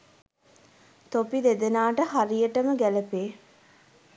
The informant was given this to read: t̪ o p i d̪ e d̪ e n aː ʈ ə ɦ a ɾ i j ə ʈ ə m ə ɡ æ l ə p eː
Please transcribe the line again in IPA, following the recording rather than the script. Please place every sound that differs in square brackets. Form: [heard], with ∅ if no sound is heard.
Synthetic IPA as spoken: t̪ o p i d̪ e d̪ e n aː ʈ ə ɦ a ɾ i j ə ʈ ə m ə ɡ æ l ə p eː